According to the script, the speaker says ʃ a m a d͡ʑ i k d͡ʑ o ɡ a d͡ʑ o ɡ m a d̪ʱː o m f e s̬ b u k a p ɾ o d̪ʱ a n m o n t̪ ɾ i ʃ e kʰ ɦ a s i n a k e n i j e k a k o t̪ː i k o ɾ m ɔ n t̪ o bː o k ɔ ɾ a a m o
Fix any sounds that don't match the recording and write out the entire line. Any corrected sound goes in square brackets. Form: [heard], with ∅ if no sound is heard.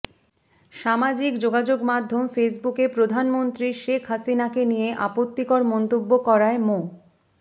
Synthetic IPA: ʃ a m a d͡ʑ i k d͡ʑ o ɡ a d͡ʑ o ɡ m a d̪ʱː o m f e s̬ b u k [e] p ɾ o d̪ʱ a n m o n t̪ ɾ i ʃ e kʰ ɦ a s i n a k e n i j e [ʔ] a [p] o t̪ː i k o ɾ m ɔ n t̪ o bː o k ɔ ɾ a [e] m o